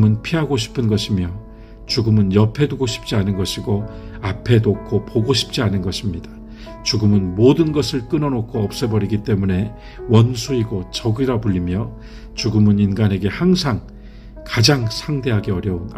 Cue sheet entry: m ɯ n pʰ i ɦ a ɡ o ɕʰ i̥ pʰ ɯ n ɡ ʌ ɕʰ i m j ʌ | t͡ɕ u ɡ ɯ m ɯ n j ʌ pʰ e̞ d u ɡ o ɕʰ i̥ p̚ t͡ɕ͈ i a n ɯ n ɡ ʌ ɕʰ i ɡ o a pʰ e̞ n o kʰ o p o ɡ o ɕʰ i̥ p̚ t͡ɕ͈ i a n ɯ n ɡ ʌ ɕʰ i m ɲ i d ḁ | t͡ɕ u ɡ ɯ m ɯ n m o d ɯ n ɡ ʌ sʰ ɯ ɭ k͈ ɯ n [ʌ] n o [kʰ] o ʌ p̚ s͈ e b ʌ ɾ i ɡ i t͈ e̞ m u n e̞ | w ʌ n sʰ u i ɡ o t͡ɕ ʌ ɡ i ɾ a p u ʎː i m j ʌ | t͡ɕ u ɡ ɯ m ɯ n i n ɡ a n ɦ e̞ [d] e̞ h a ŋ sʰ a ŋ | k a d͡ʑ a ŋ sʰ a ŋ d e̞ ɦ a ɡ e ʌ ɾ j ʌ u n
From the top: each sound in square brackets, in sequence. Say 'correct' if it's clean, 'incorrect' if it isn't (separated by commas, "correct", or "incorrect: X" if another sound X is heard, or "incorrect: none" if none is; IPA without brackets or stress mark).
correct, correct, incorrect: ɡ